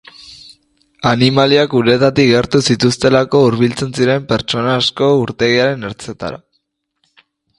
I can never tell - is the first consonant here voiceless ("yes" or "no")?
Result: no